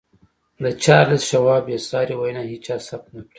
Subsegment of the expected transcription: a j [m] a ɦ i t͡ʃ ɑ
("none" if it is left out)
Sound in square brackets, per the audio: n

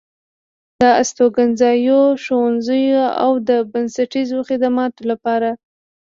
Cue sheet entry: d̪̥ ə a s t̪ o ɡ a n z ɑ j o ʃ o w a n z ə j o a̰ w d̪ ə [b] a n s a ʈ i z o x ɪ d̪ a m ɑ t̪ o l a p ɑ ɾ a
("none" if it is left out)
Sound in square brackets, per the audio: b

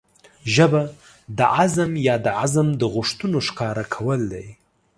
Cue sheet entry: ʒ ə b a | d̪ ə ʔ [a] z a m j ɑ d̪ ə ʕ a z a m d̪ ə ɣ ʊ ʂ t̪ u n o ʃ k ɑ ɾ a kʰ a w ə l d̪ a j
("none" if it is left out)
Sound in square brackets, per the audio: a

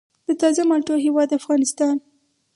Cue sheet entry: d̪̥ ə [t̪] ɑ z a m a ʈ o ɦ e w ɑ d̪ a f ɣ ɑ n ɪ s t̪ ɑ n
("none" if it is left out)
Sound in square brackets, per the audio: t̪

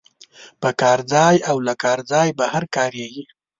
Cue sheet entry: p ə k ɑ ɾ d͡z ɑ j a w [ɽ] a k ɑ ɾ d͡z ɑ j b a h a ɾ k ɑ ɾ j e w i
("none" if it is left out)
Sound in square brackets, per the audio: l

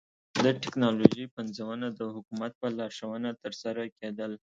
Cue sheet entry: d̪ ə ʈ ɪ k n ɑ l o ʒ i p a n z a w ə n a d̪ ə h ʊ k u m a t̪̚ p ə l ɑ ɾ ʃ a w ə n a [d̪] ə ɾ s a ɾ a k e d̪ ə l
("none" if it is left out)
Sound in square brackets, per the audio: t̪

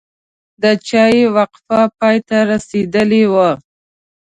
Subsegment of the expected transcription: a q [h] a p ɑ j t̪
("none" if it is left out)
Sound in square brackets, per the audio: f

